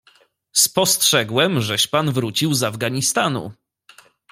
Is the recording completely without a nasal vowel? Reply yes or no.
yes